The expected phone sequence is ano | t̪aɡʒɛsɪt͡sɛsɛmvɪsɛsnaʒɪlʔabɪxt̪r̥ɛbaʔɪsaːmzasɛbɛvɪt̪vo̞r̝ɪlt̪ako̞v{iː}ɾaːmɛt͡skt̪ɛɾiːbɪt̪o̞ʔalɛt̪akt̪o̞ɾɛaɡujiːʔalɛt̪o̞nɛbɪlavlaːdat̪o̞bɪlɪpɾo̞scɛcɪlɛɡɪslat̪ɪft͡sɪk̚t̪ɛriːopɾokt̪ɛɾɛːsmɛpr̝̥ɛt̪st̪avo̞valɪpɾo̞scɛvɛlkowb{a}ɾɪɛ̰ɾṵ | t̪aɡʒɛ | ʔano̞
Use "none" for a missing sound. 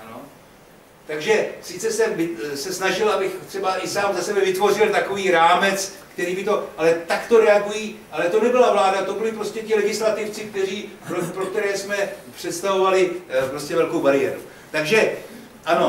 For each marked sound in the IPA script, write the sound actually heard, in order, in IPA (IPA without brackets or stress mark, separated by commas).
iː, a